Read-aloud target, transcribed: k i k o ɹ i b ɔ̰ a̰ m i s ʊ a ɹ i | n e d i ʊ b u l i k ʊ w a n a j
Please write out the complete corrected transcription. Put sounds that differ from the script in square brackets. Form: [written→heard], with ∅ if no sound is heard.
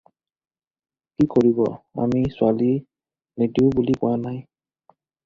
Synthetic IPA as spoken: k i k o ɹ i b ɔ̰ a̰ m i s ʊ a [ɹ→l] i | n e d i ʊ b u l i k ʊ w a n a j